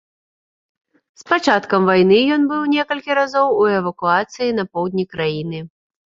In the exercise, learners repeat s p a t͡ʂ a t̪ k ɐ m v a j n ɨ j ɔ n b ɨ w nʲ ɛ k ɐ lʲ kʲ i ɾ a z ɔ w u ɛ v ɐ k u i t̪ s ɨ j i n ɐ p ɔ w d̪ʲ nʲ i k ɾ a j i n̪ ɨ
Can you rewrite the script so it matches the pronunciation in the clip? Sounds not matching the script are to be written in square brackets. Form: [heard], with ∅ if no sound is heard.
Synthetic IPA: s p a t͡ʂ a t̪ k ɐ m v a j n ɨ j ɔ n b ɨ w nʲ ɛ k ɐ lʲ kʲ i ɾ a z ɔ w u ɛ v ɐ k u [a] t̪ s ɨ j i n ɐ p ɔ w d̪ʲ nʲ i k ɾ a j i n̪ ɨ

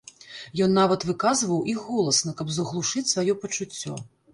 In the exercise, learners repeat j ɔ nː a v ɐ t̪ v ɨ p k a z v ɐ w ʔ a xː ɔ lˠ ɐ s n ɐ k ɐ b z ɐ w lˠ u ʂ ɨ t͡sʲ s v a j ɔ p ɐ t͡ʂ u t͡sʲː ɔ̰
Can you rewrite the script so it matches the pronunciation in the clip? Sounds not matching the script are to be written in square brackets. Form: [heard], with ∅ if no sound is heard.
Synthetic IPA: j ɔ nː a v ɐ t̪ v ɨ [∅] k a z v ɐ w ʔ [i] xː ɔ lˠ ɐ s n ɐ k ɐ b z ɐ [ɣ] lˠ u ʂ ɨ t͡sʲ s v a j ɔ p ɐ t͡ʂ u t͡sʲː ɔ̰

